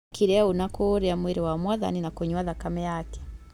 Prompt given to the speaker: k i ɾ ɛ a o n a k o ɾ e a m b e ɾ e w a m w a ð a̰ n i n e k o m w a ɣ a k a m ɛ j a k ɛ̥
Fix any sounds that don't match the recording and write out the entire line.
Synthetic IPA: k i ɾ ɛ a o n a k o ɾ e a m w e ɾ e w a m w a ð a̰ n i n a k o ɲ w a ð a k a m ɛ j a k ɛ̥

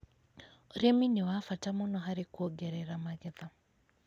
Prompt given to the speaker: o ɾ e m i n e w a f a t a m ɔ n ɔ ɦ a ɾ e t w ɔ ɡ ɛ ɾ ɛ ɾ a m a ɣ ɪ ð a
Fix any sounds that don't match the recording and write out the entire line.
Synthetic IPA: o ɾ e m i n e w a f a t a m ɔ n ɔ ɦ a ɾ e k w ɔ ɡ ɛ ɾ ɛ ɾ a m a ɣ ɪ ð a

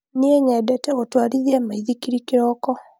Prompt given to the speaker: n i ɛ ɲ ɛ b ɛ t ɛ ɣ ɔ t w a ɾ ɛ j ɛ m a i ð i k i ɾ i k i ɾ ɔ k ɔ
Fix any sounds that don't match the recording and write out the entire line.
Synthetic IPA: n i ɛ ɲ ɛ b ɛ t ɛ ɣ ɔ t w a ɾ i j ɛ m a i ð i k i ɾ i k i ɾ ɔ k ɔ

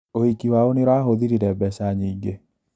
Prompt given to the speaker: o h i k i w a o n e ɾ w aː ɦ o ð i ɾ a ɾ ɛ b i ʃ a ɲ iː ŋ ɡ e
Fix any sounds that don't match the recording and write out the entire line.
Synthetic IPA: o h i k i w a o n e ɾ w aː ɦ o ð i ɾ i ɾ ɛ b ɛ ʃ a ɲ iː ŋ ɡ e

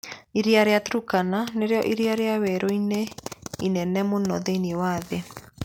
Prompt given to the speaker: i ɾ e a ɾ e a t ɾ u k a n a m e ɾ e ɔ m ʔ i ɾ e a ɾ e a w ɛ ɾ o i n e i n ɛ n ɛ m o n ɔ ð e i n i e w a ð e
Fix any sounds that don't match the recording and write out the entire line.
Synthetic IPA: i ɾ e a ɾ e a t ɾ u k a n a n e ɾ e ɔ ʔ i ɾ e a ɾ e a w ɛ ɾ o i n e i n ɛ n ɛ m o n ɔ ð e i n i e w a ð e

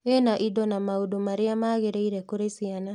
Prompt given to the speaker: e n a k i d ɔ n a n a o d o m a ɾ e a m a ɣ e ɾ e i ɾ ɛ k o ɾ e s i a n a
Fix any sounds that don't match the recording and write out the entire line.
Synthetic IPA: e n a ʔ i d ɔ n a m a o d o m a ɾ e a m a ɣ e ɾ e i ɾ ɛ k o ɾ e s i a n a

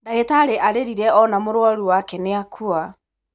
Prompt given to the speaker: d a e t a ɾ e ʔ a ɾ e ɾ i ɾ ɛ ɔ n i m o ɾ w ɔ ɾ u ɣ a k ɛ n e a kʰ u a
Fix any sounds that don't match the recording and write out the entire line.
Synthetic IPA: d a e t a ɾ e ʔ a ɾ e ɾ i ɾ ɛ ɔ n a m o ɾ w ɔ ɾ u w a k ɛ n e a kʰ u a

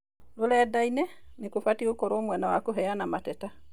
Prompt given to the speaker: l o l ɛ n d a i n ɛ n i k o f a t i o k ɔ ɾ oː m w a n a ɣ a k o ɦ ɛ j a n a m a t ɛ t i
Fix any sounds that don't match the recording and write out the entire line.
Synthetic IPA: l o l ɛ d a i n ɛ n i k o f a t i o k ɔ ɾ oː m w ɛ n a w a k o ɦ ɛ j a n a m a t ɛ t a

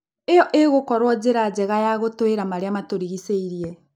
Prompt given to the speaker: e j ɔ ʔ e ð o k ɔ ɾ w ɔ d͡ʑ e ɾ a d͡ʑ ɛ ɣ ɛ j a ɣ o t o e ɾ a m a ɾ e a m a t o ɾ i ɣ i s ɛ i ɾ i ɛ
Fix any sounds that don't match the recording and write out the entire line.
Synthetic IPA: e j ɔ ʔ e ɣ o k ɔ ɾ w ɔ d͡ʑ e ɾ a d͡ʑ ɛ ɣ a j a ɣ o t o e ɾ a m a ɾ e a m a t o ɾ i ɣ i s e i ɾ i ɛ

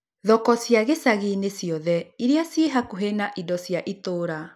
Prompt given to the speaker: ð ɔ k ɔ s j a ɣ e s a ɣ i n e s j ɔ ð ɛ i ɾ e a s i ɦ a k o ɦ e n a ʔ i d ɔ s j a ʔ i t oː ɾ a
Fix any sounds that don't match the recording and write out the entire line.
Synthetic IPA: ð ɔ k ɔ s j a ɣ e s a ɣ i n e s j ɔ ð ɛ i ɾ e a s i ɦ a k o ɦ e n a ʔ i d ɔ s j a ʔ i t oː ɾ a

